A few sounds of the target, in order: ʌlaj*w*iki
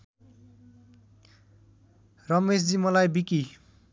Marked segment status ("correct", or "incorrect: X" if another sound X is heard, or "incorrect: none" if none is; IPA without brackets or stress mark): incorrect: b